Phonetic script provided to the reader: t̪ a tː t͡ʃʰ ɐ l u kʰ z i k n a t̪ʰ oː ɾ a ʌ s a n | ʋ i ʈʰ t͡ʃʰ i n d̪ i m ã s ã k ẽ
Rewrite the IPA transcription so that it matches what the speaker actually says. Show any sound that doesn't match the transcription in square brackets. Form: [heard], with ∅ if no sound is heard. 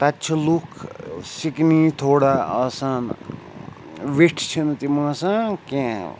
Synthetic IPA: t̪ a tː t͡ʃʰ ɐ l u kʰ [s] i k n [i] t̪ʰ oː [ɽ] a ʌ s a n | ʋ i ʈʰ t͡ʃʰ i n [t̪] i m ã s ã k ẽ